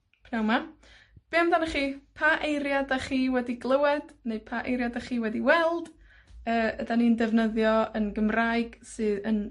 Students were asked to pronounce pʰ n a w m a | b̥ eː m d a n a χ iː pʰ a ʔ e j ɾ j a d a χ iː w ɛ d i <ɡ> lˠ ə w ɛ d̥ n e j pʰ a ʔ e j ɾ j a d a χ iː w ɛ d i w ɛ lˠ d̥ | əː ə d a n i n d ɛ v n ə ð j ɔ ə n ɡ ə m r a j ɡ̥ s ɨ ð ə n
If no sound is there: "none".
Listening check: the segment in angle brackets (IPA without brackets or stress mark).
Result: ɡ